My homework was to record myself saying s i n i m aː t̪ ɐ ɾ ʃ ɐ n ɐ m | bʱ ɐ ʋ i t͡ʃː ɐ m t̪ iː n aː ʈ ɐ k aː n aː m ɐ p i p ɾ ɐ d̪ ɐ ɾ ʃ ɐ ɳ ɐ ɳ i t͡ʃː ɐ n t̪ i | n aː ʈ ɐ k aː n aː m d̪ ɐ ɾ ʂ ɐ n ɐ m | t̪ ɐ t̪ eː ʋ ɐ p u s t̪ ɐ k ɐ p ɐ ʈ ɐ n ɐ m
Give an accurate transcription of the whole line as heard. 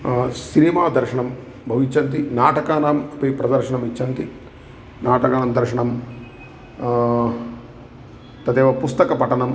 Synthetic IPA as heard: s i n i m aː d̪ ɐ ɾ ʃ ɐ ɳ ɐ m | bʱ ɐ ʋ i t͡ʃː ɐ n t̪ i n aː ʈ ɐ k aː n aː m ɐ p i p ɾ ɐ d̪ ɐ ɾ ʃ ɐ ɳ ɐ m i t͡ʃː ɐ n t̪ i | n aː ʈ ɐ k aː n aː m d̪ ɐ ɾ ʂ ɐ ɳ ɐ m | t̪ ɐ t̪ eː ʋ ɐ p u s t̪ ɐ k ɐ p ɐ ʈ ɐ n ɐ m